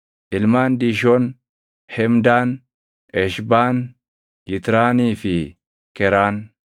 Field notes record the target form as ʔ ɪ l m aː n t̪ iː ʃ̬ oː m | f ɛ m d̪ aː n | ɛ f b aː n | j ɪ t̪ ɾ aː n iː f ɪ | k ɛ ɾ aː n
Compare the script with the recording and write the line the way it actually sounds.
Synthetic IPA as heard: ʔ ɪ l m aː n d̪ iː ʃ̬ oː n | h ɛ m d̪ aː n | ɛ ʃ b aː n | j ɪ t̪ ɾ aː n iː f ɪ | k ɛ ɾ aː n

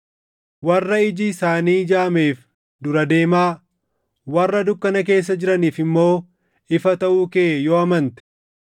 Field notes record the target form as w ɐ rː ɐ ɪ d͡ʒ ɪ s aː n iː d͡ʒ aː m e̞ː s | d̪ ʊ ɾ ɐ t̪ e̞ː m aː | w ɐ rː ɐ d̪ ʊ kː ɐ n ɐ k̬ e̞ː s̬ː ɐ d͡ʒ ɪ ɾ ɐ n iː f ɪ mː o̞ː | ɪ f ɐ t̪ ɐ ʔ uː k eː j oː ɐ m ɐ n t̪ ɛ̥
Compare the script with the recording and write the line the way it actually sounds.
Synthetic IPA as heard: w ɐ rː ɐ ɪ d͡ʒ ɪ s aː n iː d͡ʒ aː m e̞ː f | d̪ ʊ ɾ ɐ d̪ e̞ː m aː | w ɐ rː ɐ d̪ ʊ kː ɐ n ɐ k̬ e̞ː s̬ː ɐ d͡ʒ ɪ ɾ ɐ n iː f ɪ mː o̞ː | ɪ f ɐ t̪ ɐ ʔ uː k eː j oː ɐ m ɐ n t̪ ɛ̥

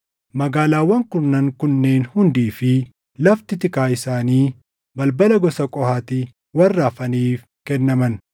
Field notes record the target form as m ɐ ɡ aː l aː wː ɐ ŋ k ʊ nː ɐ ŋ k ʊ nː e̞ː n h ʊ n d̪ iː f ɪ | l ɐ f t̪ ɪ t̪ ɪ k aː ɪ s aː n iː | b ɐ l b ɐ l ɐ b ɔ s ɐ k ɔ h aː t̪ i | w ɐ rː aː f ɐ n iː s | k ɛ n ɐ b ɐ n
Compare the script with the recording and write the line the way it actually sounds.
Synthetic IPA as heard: m ɐ ɡ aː l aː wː ɐ ŋ k ʊ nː ɐ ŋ k ʊ nː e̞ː n h ʊ n d̪ iː f ɪ | l ɐ f t̪ ɪ t̪ ɪ k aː ɪ s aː n iː | b ɐ l b ɐ l ɐ ɡ ɔ s ɐ kʼ ɔ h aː t̪ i | w ɐ rː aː f ɐ n iː f | k ɛ nː ɐ m ɐ n

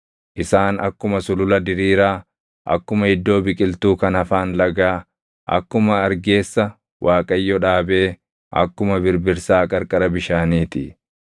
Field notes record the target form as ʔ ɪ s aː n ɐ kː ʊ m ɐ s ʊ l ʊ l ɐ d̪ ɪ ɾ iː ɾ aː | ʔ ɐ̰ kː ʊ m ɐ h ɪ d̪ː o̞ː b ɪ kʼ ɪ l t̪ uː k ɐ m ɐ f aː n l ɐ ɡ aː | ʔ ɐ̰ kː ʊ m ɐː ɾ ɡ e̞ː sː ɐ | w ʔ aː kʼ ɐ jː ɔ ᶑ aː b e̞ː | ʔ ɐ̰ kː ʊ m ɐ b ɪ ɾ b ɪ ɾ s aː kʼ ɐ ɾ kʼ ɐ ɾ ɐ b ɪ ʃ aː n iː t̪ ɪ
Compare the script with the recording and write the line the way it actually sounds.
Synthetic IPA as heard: ʔ ɪ s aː n ɐ kː ʊ m ɐ s ʊ l ʊ l ɐ d̪ ɪ ɾ iː ɾ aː | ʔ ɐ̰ kː ʊ m ɐ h ɪ d̪ː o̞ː b ɪ kʼ ɪ l t̪ uː k ɐ n ɐ f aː n l ɐ ɡ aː | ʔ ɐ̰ kː ʊ m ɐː ɾ ɡ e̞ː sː ɐ | w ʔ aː kʼ ɐ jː ɔ ᶑ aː b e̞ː | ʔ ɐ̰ kː ʊ m ɐ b ɪ ɾ b ɪ ɾ s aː kʼ ɐ ɾ kʼ ɐ ɾ ɐ b ɪ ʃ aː n iː t̪ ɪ

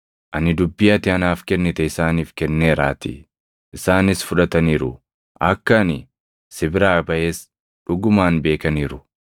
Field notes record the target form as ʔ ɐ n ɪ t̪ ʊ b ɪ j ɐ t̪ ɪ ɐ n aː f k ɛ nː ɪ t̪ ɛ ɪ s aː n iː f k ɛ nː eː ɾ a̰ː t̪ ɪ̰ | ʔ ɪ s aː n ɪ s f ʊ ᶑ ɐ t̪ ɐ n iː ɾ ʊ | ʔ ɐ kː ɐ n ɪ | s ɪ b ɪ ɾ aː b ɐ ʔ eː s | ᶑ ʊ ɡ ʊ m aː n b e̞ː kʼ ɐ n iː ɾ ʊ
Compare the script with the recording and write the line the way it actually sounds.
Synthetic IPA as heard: ʔ ɐ n ɪ d̪ ʊ bː ɪ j ɐ t̪ ɪ ɐ n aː f k ɛ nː ɪ t̪ ɛ ɪ s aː n iː f k ɛ nː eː ɾ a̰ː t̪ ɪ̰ | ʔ ɪ s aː n ɪ s f ʊ ᶑ ɐ t̪ ɐ n iː ɾ ʊ | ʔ ɐ kː ɐ n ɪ | s ɪ b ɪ ɾ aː b ɐ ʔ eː s | ᶑ ʊ ɡ ʊ m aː n b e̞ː k ɐ n iː ɾ ʊ

